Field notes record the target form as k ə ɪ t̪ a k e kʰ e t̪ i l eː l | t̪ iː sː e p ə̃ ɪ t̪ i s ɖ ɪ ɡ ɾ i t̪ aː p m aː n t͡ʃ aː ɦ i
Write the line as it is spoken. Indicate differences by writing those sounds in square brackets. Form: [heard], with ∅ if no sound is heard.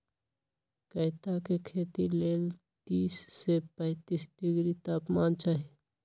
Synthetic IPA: k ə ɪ t̪ a k e kʰ e t̪ i l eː l | t̪ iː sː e p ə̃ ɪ t̪ i s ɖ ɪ ɡ ɾ i t̪ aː p m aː n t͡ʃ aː ɦ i